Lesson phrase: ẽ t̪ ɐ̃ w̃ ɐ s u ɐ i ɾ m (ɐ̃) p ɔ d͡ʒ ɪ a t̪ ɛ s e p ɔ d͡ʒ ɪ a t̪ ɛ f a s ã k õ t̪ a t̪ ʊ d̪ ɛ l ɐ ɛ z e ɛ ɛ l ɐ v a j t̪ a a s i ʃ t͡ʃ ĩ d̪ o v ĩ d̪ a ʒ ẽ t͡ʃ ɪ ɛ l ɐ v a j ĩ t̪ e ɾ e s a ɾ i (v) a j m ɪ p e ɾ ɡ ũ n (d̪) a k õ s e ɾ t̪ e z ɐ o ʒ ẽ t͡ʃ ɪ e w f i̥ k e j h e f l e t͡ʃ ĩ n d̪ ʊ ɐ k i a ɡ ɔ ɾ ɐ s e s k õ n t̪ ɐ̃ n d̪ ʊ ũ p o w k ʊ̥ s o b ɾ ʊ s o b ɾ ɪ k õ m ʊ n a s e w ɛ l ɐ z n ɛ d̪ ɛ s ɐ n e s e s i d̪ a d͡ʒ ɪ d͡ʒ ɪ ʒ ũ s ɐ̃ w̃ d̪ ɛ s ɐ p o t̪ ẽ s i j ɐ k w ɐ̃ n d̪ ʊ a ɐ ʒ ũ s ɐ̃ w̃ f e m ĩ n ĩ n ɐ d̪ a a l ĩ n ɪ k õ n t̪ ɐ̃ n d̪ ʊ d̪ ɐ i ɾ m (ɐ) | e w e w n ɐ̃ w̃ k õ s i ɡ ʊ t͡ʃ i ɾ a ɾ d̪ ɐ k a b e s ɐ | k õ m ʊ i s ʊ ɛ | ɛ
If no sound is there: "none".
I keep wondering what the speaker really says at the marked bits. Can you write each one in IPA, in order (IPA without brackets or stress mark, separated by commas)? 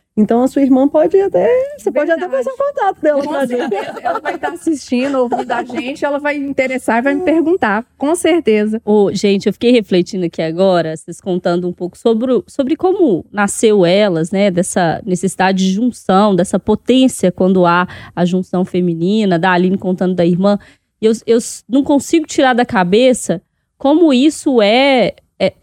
ɐ̃, v, t̪, ɐ̃